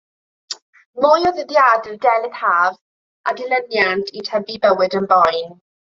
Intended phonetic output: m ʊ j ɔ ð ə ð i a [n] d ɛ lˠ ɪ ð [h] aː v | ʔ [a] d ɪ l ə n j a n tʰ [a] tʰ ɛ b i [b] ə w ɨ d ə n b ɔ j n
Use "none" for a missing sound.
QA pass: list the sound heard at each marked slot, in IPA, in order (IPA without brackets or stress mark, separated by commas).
d, h, a, i, b